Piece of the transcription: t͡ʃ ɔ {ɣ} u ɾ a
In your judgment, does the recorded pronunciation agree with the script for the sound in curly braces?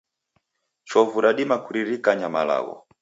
no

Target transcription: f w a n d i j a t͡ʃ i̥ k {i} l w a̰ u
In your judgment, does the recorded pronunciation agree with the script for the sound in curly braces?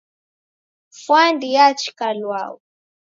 no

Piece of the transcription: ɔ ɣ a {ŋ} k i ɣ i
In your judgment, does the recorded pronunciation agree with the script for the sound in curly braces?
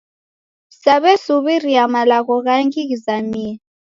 yes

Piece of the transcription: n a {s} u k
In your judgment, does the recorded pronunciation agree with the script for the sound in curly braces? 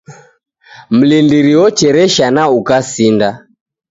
no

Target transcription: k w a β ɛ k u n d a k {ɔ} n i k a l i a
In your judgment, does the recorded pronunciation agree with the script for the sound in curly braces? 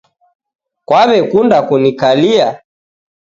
no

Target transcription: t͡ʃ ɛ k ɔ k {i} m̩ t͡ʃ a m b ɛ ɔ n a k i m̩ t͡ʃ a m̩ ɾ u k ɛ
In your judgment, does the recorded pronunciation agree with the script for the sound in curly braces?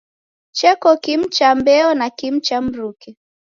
yes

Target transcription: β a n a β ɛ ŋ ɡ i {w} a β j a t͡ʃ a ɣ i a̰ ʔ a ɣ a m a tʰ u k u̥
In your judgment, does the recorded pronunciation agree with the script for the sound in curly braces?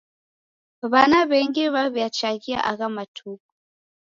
no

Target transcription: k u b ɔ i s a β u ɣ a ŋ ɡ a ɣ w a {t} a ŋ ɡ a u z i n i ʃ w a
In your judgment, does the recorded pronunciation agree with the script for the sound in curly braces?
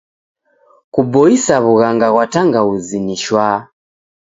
yes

